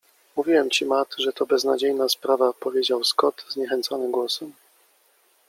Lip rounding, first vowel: rounded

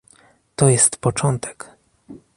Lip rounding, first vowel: rounded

